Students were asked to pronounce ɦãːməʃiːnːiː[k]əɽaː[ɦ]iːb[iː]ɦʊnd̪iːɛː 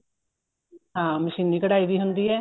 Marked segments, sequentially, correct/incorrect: correct, incorrect: none, correct

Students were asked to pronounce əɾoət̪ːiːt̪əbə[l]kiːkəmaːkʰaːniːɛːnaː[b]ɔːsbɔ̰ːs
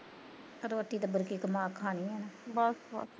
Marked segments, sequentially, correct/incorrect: incorrect: ɾ, correct

